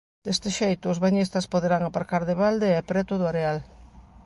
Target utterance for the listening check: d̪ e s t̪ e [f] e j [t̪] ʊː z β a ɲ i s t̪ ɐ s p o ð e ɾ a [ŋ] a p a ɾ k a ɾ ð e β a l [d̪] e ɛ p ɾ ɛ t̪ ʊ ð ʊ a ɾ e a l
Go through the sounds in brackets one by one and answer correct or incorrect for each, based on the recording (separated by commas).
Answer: incorrect, correct, correct, correct